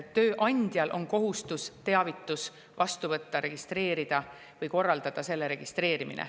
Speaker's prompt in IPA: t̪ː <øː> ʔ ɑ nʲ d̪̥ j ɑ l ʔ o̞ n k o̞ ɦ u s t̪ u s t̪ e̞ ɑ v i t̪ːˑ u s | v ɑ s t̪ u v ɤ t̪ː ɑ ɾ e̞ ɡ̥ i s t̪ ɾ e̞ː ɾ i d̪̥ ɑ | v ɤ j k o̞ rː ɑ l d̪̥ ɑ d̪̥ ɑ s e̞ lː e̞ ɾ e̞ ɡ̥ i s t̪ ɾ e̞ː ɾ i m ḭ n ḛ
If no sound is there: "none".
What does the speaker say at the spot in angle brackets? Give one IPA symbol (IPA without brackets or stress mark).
øː